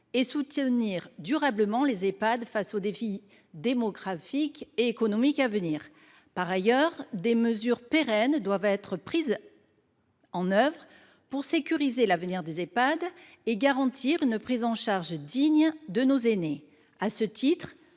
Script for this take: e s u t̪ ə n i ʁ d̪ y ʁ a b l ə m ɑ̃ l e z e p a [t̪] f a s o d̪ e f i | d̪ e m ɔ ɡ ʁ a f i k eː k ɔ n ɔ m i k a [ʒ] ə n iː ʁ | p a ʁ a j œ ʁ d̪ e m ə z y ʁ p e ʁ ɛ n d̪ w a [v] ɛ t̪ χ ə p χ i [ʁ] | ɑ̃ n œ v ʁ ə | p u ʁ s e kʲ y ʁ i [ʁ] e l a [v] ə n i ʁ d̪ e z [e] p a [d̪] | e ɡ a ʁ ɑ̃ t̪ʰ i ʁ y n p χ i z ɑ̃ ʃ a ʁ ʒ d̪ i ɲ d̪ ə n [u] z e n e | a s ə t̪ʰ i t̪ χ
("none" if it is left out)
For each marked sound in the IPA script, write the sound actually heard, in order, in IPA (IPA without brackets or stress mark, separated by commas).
d̪, v, v, z, z, v, e, d̪, o